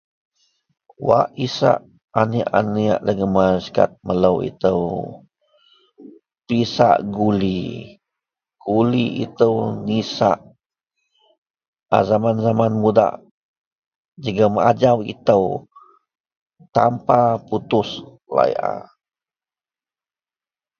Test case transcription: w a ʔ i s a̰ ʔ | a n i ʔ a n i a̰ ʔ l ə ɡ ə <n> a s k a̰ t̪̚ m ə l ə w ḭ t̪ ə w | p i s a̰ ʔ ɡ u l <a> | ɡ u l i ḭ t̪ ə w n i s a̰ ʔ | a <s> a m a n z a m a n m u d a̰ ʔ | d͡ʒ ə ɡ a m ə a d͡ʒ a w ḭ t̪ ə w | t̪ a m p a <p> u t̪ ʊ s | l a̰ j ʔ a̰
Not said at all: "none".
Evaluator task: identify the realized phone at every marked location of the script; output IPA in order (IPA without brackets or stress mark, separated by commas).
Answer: m, i, z, p